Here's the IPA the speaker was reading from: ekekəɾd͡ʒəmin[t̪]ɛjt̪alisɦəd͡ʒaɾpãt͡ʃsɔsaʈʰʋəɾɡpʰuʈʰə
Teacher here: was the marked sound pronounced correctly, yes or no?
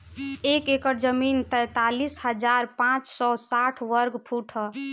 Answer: yes